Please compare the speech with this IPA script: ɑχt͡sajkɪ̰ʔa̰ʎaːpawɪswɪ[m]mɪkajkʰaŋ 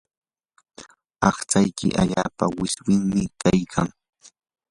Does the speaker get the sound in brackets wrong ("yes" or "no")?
yes